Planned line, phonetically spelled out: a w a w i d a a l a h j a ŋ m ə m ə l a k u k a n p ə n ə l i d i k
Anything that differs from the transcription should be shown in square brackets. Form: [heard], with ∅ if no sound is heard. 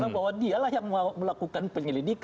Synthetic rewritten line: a [b] a w [a] d [i] a l a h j a ŋ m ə m ə l a k u k a n p ə [ɲ] ə l i d i k

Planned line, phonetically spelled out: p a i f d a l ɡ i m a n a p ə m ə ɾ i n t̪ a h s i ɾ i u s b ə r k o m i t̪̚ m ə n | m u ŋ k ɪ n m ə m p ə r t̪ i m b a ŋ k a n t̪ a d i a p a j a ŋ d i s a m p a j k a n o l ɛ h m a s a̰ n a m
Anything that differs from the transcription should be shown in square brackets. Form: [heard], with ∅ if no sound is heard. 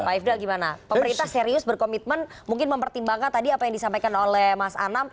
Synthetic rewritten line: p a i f d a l ɡ i m a n a p ə m ə ɾ i n t̪ a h s [e] ɾ i [ʊ] s b ə r k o m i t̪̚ m ə n | m u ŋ k ɪ n m ə m p ə r t̪ i m b a ŋ k a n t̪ a d i a p a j a ŋ d i s a m p a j k a n o l ɛ h m a s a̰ n a m

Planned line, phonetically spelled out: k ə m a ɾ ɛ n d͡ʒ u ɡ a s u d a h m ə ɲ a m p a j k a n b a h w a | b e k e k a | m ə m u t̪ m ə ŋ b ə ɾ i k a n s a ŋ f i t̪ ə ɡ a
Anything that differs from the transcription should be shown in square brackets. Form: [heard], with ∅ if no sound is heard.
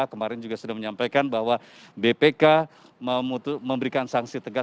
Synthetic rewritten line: k ə m a ɾ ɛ n d͡ʒ u ɡ a s u d a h m ə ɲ a m p a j k a n b a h w a | b e [p] e k a | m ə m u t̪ m ə [m] b ə ɾ i k a n s a ŋ [s] i t̪ ə ɡ a

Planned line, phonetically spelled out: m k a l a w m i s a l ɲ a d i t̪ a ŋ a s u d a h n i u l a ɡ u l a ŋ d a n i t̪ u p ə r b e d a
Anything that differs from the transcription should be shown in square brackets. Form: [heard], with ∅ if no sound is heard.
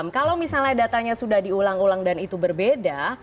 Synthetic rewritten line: m k a l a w m i s a l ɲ a d [a] t̪ a [ɲ] a s u d a h [d] i u l a [ŋ] u l a ŋ d a n i t̪ u [b] ə r b e d a

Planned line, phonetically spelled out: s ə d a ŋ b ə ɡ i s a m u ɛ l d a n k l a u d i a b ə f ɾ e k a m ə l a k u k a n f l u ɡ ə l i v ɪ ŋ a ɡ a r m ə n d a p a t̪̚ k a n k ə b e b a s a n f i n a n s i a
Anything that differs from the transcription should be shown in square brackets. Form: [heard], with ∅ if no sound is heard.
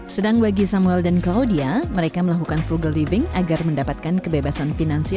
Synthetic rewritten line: s ə d a ŋ b [a] ɡ i s a m u ɛ l d a n k l a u d i a [m] ə [∅] ɾ e k a m ə l a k u k a n f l u ɡ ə l i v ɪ ŋ a ɡ a r m ə n d a p a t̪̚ k a n k ə b e b a s a n f i n a n s i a

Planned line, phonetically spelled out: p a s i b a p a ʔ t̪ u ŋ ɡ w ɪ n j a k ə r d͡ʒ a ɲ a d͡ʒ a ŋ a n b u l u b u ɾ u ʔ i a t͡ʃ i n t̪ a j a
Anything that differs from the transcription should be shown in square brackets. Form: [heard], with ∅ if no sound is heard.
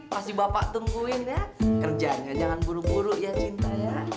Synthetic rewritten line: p a s i b a p a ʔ t̪ u ŋ ɡ [u] ɪ n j a k ə r d͡ʒ a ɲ a d͡ʒ a ŋ a n b u [ɾ] u b u ɾ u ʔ [j] a t͡ʃ i n t̪ a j a

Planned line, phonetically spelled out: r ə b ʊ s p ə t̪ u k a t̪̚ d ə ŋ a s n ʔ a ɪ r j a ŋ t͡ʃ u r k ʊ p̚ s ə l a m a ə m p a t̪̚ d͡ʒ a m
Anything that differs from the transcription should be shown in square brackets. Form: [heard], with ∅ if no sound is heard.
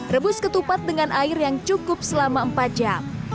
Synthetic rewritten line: r ə b ʊ s [k] ə t̪ u [p] a t̪̚ d ə ŋ a [∅] n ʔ a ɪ r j a ŋ t͡ʃ u [∅] k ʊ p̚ s ə l a m a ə m p a t̪̚ d͡ʒ a m

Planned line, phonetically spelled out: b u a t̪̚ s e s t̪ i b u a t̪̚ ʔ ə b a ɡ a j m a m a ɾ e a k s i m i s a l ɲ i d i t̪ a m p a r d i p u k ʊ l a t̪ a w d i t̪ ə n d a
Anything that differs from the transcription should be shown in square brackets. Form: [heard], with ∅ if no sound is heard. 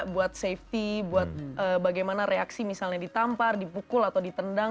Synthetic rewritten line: b u a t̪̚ s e [f] t̪ i b u a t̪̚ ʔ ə b a ɡ a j m a [n] a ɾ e a k s i m i s a l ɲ [a] d i t̪ a m p a r d i p u k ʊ l a t̪ a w d i t̪ ə n d a

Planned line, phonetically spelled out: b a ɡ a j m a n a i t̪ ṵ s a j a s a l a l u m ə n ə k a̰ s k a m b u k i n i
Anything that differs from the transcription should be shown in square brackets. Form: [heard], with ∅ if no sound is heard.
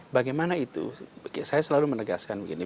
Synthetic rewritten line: b a ɡ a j m a n a i t̪ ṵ s a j a s [ə] l a l u m ə n ə [ɡ] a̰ s k a [n] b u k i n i

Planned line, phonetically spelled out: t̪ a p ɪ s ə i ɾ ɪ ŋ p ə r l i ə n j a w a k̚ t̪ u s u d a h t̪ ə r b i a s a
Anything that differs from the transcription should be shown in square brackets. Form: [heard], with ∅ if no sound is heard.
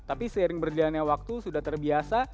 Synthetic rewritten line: t̪ a p [i] s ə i ɾ ɪ ŋ [b] ə r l i [a] n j a w a k̚ t̪ u s u d a h t̪ ə r b i a s a

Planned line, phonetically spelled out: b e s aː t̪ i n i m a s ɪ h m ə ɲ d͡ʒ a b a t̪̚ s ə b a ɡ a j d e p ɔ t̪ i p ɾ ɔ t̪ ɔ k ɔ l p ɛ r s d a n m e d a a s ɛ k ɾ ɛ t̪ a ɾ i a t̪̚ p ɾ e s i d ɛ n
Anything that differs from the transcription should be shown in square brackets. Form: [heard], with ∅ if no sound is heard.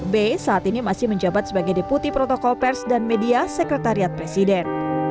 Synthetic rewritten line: b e s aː t̪ i n i m a s ɪ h m ə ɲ d͡ʒ a b a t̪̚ s ə b a ɡ a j d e p [u] t̪ i p ɾ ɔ t̪ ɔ k ɔ l p ɛ r s d a n m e d [i] a s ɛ k ɾ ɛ t̪ a ɾ i a t̪̚ p ɾ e s i d ɛ n

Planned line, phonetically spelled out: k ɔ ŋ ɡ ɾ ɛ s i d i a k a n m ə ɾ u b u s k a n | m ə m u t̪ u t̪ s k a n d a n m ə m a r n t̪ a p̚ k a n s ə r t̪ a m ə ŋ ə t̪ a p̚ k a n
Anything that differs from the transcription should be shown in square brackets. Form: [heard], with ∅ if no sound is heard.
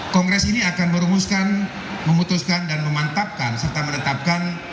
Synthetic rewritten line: k ɔ ŋ ɡ ɾ ɛ s i [n] i a k a n m ə ɾ u [m] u s k a n | m ə m u t̪ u [∅] s k a n d a n m ə m a [∅] n t̪ a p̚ k a n s ə r t̪ a m ə [n] ə t̪ a p̚ k a n

